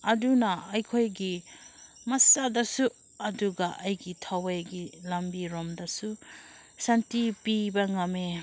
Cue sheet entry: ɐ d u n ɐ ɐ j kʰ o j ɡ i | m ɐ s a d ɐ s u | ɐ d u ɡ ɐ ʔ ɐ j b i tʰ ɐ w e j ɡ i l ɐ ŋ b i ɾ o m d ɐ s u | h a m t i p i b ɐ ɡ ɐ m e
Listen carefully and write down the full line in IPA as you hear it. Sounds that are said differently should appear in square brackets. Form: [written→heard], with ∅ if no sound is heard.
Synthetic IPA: ɐ d u n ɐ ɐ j kʰ o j ɡ i | m ɐ s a d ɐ s u | ɐ d u ɡ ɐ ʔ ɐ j [b→ɡ] i tʰ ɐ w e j ɡ i l ɐ [ŋ→m] b i ɾ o m d ɐ s u | [h→s] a [m→n] t i p i b ɐ [ɡ→ŋ] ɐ m e